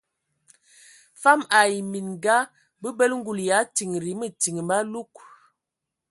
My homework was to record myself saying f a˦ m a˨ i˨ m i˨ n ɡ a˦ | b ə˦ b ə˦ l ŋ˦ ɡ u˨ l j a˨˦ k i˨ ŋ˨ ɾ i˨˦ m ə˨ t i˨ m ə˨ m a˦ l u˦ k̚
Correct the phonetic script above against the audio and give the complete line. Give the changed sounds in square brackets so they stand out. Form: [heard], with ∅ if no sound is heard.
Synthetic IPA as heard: f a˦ m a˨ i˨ m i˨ n ɡ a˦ | b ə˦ b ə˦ l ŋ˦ ɡ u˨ l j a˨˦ [t] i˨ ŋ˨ ɾ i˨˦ m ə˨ t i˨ [ŋ] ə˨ m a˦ l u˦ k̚